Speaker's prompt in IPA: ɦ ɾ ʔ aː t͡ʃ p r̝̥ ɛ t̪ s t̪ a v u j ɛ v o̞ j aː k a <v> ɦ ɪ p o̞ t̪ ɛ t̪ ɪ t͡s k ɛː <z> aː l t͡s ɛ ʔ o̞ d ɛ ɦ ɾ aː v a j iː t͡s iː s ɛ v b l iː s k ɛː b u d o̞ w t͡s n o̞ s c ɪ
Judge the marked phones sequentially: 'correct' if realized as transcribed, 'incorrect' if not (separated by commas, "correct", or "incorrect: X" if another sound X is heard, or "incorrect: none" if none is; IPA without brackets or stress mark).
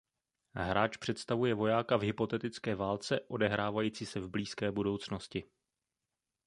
correct, incorrect: v